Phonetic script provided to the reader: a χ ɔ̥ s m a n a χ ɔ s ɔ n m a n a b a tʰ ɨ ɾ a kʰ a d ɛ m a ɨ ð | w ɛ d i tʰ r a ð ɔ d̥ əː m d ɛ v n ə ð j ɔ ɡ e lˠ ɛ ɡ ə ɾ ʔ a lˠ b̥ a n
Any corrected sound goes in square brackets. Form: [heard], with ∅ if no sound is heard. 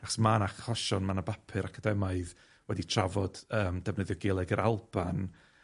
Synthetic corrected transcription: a χ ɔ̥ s m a n a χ ɔ [ʃ] ɔ n m a n a b a [pʰ] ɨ ɾ a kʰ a d ɛ m a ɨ ð | w ɛ d i tʰ r a [v] ɔ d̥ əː m d ɛ v n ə ð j ɔ ɡ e lˠ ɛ ɡ ə ɾ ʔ a lˠ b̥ a n

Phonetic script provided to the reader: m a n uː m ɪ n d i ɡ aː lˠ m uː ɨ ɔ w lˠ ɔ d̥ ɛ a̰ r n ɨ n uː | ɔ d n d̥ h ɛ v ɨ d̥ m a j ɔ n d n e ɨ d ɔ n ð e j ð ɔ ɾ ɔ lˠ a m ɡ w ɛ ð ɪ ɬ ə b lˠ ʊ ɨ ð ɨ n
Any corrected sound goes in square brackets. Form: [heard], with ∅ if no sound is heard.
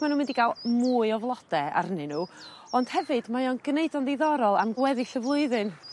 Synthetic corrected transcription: m a n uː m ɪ n d i ɡ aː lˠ m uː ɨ ɔ [v] lˠ ɔ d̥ ɛ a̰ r n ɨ n uː | ɔ [∅] n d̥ h ɛ v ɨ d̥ m a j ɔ n [ɡ] n e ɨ d ɔ n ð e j ð ɔ ɾ ɔ lˠ a m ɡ w ɛ ð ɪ ɬ ə [v] lˠ ʊ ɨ ð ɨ n

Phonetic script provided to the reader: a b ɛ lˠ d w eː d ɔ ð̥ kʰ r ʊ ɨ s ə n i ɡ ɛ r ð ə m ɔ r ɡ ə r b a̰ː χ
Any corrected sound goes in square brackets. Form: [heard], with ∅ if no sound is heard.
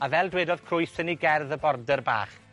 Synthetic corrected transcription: a [v] ɛ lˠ d w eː d ɔ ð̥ kʰ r ʊ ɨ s ə n i ɡ ɛ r ð ə [b] ɔ r [d] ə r b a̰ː χ

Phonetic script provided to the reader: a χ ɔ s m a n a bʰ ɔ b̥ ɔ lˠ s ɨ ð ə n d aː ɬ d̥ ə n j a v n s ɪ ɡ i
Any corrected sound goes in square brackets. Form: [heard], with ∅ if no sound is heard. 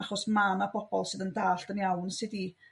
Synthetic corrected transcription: a χ ɔ s m a n a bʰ ɔ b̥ ɔ lˠ s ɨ ð ə n d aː ɬ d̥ ə n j a [w] n s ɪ [d] i

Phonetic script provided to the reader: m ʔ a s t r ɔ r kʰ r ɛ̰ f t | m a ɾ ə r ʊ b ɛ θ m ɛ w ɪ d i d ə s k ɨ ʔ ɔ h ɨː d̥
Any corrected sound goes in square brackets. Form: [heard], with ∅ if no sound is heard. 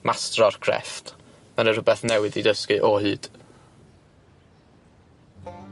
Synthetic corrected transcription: m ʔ a s t r ɔ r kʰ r ɛ̰ f t | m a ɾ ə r ʊ b ɛ θ [n] ɛ w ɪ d i d ə s k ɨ ʔ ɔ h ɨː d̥

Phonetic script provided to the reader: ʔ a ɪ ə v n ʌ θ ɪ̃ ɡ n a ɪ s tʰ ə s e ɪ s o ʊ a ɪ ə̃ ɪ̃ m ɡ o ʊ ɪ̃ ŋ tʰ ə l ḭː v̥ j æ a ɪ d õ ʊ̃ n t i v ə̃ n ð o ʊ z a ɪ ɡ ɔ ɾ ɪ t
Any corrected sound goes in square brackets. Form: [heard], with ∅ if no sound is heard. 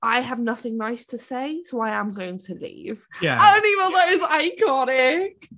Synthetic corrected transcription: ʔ a ɪ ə v n ʌ θ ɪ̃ [ŋ] n a ɪ s tʰ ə s e ɪ s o ʊ a ɪ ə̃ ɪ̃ m ɡ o ʊ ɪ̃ ŋ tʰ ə l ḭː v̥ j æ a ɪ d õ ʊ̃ n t i v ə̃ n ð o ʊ z a ɪ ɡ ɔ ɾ ɪ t

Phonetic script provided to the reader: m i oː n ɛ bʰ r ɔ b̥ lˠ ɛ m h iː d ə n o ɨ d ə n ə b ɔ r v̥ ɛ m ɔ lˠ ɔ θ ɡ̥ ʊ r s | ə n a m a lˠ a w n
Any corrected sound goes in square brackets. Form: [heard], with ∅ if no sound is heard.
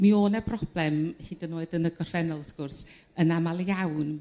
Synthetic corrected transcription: m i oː n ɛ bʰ r ɔ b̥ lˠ ɛ m h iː d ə n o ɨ d ə n ə [ɡ] ɔ r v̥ ɛ [n] ɔ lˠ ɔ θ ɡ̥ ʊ r s | ə n a m a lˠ a w n

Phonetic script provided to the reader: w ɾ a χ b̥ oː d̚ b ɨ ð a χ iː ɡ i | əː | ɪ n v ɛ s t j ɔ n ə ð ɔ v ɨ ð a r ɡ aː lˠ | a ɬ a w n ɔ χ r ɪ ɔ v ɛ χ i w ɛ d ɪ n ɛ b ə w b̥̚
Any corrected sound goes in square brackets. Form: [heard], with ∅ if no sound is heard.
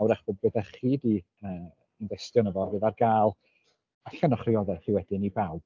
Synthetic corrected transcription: w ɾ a χ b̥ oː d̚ b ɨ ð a χ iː [d] i | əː | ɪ n v ɛ s t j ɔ n ə [v] ɔ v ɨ ð a r ɡ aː lˠ | a ɬ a [∅] n ɔ χ r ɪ ɔ [ð] ɛ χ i w ɛ d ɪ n [i] b [a] w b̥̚

